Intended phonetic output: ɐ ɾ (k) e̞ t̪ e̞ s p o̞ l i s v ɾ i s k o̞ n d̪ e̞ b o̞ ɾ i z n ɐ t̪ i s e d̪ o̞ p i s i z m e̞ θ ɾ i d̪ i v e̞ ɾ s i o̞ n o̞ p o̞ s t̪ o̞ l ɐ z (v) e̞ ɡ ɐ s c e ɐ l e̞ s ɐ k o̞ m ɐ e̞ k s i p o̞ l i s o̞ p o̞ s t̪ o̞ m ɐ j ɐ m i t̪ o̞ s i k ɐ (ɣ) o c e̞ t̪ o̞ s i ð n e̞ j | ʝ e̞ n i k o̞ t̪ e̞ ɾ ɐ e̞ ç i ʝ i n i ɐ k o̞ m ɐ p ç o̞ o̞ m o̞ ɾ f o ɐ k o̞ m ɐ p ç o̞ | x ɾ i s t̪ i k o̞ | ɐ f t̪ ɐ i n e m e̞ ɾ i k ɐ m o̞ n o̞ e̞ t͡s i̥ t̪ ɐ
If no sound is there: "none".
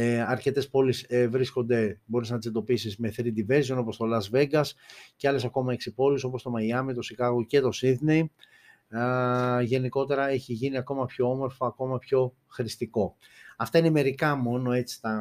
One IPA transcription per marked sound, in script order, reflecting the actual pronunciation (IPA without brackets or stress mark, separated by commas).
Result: c, v, ɣ